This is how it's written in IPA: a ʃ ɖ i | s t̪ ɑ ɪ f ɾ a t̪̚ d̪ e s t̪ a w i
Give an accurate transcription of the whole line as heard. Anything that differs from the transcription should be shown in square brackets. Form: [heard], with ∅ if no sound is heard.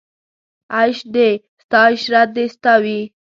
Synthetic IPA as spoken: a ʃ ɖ [e] | s t̪ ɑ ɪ [ʃ] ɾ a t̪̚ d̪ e s t̪ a w i